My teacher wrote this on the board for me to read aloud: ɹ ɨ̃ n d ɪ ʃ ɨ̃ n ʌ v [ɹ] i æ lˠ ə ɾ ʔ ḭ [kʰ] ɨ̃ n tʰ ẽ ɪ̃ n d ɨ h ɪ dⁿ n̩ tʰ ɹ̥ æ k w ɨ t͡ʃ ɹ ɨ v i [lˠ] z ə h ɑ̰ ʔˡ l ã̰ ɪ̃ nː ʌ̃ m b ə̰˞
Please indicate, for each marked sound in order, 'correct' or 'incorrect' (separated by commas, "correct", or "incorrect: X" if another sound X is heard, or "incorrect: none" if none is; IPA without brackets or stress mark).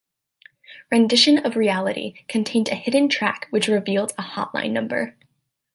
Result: correct, correct, correct